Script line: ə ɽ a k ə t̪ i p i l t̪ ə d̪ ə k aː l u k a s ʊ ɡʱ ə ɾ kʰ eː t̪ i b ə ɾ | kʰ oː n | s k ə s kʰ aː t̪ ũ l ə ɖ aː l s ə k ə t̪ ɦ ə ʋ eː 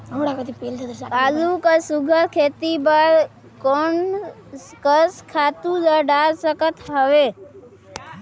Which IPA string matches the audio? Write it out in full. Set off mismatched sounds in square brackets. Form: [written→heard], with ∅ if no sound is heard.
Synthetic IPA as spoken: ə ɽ a k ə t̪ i p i l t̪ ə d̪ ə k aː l u k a s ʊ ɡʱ ə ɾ kʰ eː t̪ i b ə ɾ | [kʰ→k] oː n | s k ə s kʰ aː t̪ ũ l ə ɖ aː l s ə k ə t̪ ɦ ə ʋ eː